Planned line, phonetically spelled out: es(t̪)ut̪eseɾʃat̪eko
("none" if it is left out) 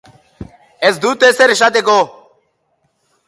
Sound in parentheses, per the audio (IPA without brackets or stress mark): d̪